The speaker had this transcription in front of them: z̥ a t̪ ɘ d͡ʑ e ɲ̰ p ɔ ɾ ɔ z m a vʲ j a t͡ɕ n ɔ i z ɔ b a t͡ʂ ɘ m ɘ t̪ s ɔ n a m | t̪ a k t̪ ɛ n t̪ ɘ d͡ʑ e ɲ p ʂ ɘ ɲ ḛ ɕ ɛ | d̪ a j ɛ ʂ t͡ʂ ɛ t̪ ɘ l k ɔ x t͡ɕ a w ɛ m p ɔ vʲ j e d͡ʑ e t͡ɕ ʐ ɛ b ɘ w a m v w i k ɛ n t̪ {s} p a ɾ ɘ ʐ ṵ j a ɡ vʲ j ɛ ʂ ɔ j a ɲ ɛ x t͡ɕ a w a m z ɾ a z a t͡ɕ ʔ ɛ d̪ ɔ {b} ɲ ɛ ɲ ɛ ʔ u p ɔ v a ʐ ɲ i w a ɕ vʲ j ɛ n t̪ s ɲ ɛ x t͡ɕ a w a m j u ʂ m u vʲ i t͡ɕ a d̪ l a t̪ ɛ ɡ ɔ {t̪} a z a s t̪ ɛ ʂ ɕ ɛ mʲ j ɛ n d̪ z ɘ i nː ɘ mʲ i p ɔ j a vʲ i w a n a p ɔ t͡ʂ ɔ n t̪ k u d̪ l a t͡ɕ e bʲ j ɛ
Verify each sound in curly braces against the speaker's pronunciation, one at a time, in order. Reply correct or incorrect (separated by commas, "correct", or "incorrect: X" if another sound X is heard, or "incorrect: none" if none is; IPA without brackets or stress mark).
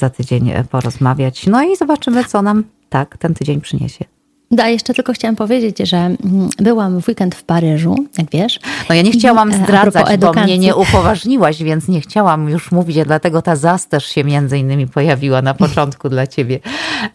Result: incorrect: f, incorrect: m, correct